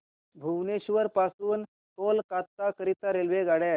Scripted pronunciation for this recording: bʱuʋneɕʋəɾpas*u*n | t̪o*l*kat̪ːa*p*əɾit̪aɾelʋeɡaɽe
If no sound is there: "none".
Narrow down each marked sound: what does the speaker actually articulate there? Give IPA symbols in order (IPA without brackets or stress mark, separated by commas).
uː, l, k